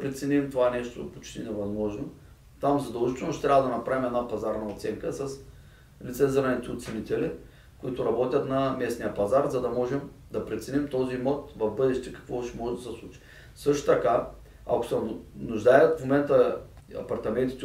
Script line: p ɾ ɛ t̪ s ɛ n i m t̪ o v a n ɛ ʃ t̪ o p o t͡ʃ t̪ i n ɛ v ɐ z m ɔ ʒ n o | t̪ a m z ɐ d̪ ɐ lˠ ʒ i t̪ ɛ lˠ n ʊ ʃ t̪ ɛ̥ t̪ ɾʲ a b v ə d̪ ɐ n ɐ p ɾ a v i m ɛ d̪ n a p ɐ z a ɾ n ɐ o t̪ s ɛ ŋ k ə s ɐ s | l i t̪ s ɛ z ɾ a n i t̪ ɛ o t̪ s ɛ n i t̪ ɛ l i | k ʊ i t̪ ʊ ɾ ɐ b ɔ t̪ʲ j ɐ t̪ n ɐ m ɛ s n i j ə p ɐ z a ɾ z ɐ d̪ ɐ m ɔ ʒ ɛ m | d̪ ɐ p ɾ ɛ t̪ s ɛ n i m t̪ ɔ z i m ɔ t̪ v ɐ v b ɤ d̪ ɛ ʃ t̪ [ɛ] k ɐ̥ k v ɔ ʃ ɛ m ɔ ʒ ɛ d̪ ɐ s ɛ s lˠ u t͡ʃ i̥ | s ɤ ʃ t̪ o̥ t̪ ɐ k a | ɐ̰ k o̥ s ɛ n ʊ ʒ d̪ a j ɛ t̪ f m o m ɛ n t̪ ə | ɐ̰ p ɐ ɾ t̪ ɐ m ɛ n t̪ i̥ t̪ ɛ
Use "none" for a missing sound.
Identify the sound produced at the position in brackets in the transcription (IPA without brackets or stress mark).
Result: ɛ